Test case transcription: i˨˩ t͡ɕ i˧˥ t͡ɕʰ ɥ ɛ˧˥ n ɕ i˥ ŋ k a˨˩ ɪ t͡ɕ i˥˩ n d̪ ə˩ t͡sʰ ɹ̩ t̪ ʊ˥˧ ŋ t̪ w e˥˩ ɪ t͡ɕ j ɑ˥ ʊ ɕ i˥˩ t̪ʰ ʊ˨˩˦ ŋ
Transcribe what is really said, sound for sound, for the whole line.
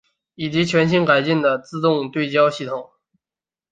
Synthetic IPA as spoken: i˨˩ t͡ɕ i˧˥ t͡ɕʰ ɥ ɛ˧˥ n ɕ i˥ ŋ k a˨˩ ɪ t͡ɕ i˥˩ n d̪ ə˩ t͡s ɹ̩ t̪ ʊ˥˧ ŋ t̪ w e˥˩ ɪ t͡ɕ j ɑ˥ ʊ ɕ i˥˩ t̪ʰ ʊ˨˩˦ ŋ

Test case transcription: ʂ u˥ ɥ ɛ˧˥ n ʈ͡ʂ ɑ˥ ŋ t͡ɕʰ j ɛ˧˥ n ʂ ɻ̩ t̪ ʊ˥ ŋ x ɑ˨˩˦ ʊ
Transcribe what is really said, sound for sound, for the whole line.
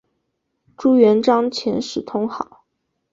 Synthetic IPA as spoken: ʈ͡ʂ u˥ ɥ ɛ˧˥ n ʈ͡ʂ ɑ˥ ŋ t͡ɕʰ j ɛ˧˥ n ʂ ɻ̩ t̪ʰ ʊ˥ ŋ x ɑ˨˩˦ ʊ

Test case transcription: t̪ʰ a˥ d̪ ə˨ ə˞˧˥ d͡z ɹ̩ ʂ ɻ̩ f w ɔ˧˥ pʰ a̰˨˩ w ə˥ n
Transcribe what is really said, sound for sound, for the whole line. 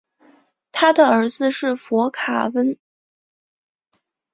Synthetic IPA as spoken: t̪ʰ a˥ d̪ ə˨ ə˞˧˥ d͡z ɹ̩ ʂ ɻ̩ f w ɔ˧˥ kʰ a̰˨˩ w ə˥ n

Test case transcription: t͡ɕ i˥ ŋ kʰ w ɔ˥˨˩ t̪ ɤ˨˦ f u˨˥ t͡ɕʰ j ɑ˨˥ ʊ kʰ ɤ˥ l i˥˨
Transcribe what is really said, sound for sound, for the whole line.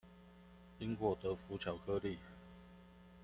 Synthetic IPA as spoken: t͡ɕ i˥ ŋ k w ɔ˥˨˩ t̪ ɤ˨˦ f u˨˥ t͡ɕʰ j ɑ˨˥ ʊ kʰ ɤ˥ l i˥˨

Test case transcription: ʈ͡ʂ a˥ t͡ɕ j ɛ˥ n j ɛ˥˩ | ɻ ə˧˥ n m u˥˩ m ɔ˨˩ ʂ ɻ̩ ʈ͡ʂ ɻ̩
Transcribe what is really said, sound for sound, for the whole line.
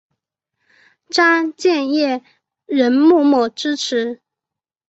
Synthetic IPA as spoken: ʈ͡ʂ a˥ t͡ɕ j ɛ˥˧ n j ɛ˥˩ | ɻ ə˧˥ n m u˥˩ m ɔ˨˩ ʈ͡ʂ ɻ̩ ʈ͡ʂʰ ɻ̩

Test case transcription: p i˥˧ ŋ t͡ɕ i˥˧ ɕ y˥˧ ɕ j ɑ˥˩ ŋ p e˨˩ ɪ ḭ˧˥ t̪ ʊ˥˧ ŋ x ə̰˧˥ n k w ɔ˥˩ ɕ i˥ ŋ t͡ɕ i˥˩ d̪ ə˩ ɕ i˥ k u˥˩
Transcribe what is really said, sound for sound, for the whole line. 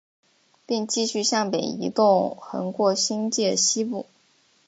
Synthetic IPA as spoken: p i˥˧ ŋ t͡ɕ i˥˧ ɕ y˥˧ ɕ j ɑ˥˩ ŋ p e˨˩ ɪ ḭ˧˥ t̪ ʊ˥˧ ŋ x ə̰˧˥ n k w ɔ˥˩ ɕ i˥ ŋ t͡ɕ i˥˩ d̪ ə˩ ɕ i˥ p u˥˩

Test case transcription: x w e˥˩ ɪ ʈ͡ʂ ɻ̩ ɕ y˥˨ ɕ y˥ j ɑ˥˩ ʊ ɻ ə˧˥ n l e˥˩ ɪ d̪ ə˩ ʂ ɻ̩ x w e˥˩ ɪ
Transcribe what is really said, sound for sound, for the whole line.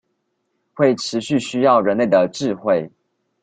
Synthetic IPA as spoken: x w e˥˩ ɪ ʈ͡ʂʰ ɻ̩ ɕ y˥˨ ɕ y˥ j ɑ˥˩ ʊ ɻ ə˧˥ n l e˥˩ ɪ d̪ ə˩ ʈ͡ʂ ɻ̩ x w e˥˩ ɪ

